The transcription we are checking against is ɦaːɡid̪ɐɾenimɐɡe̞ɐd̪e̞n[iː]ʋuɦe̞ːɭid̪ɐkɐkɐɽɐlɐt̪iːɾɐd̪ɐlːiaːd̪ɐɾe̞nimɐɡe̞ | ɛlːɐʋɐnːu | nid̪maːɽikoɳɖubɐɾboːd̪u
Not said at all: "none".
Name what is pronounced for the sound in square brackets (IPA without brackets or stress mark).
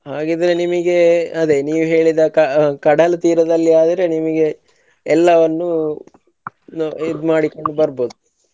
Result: iː